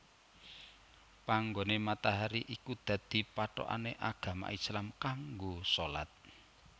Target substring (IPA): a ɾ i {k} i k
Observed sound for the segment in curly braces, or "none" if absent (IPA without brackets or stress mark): ʔ